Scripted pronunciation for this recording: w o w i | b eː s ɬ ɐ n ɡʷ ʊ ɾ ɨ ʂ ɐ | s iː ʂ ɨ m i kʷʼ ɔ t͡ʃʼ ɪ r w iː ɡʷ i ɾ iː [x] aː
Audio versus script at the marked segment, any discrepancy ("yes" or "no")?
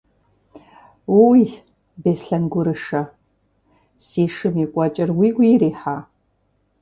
yes